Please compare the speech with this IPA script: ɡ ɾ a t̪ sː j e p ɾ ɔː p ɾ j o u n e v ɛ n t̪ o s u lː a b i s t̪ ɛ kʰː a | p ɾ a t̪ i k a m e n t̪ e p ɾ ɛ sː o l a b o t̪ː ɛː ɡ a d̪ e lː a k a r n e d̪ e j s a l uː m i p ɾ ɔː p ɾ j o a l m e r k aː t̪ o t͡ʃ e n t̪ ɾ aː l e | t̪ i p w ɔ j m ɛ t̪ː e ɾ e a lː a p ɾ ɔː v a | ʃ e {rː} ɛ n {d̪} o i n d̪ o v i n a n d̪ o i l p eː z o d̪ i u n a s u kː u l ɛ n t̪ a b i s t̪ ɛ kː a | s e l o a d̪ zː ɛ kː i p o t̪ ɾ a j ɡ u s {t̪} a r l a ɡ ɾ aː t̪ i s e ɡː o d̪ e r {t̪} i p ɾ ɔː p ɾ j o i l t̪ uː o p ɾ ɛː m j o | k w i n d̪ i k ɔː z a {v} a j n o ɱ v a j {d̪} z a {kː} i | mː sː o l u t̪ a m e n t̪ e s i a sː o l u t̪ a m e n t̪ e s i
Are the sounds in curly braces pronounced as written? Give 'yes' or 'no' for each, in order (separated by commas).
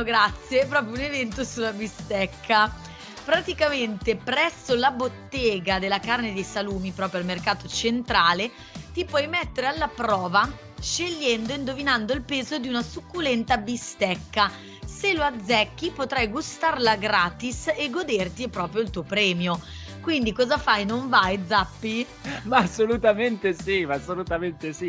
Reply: no, yes, yes, yes, no, yes, no